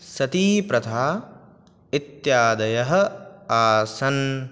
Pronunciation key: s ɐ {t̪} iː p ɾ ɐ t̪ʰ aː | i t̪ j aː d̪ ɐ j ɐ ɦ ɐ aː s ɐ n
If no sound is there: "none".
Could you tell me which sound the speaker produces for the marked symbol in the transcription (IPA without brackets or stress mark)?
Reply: t̪